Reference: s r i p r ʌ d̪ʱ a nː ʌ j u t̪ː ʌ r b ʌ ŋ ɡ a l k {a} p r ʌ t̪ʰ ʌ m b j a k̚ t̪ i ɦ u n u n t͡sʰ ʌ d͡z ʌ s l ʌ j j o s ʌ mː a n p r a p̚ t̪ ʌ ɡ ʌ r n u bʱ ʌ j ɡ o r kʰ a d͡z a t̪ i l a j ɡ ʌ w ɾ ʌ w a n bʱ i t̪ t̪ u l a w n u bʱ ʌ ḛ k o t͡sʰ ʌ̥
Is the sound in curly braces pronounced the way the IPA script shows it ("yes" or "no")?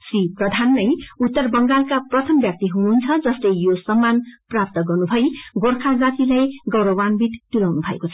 yes